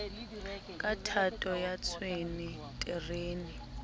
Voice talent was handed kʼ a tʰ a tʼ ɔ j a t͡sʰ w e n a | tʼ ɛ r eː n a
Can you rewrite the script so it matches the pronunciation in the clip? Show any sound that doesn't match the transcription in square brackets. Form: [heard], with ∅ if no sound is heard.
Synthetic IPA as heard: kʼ a tʰ a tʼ ɔ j a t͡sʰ w e n [i] | tʼ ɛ r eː n [i]